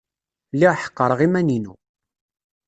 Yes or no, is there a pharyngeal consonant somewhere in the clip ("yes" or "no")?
yes